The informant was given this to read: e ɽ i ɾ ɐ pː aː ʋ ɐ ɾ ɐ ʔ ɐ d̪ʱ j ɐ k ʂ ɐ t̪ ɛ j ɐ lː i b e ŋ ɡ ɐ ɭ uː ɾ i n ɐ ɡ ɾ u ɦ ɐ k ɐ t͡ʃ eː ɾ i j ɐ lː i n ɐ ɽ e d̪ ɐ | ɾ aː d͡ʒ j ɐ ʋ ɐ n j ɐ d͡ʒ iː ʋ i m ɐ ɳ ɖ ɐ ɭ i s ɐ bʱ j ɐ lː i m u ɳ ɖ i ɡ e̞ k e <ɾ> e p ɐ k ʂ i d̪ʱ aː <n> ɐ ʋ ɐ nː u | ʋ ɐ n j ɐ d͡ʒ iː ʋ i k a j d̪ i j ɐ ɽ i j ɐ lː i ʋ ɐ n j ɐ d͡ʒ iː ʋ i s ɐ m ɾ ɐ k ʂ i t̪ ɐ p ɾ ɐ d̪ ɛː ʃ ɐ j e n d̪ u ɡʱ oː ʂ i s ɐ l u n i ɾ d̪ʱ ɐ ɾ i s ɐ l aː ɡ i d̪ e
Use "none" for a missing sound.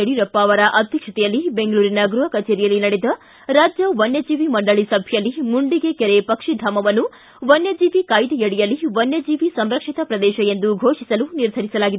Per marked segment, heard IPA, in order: ɾ, m

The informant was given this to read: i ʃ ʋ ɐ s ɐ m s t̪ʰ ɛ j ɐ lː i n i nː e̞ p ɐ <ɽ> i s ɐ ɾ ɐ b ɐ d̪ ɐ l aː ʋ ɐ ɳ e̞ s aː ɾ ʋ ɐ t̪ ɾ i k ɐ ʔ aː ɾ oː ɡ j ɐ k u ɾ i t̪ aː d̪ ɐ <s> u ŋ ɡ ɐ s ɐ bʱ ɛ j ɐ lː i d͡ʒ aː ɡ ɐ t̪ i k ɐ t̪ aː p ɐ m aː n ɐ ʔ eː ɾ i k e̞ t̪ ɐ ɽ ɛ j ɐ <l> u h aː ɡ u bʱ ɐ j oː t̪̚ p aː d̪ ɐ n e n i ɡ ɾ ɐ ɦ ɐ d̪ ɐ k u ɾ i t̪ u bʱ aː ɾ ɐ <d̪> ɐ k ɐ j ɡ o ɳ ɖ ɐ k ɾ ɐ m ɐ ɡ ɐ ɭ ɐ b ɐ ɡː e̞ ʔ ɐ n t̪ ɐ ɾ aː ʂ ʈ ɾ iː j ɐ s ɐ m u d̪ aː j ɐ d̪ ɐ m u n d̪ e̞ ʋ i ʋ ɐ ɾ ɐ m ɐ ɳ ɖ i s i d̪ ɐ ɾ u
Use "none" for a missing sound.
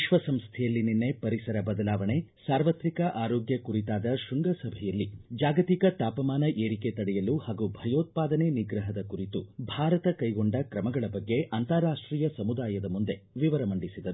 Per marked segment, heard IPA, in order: ɾ, ʃ, l, t̪

